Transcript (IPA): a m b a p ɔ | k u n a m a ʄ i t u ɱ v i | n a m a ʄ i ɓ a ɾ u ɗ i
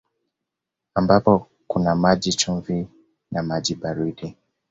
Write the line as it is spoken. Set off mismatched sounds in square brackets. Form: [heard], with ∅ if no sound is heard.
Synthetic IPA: a m b a p ɔ | k u n a m a ʄ i [t͡ʃ] u ɱ v i | n a m a ʄ i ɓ a ɾ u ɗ i